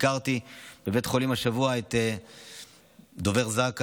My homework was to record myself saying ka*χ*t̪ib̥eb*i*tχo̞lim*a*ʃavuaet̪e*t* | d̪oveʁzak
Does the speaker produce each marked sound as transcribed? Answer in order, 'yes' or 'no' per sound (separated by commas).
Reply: no, no, yes, no